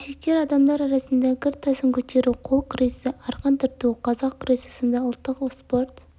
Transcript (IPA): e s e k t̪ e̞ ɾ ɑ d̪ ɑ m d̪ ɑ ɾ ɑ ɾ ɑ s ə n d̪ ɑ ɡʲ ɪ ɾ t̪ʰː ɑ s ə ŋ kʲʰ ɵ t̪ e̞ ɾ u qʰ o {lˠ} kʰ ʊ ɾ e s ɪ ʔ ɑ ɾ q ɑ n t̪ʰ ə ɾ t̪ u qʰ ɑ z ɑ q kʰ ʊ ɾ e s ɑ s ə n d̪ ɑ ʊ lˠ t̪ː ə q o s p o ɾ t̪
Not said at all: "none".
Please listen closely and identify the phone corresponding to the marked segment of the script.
lˠ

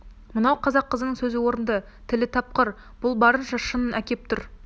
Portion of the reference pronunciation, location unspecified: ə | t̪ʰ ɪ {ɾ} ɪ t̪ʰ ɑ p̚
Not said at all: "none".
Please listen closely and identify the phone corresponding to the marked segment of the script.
l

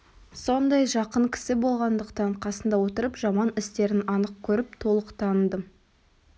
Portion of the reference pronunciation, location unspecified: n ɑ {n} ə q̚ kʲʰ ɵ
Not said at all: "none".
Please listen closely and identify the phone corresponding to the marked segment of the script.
n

